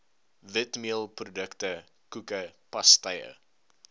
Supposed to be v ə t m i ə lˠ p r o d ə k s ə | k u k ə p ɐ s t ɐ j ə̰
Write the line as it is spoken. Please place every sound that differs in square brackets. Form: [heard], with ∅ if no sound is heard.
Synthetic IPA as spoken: v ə t m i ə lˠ p r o d ə k [t] ə | k u k ə p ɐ s t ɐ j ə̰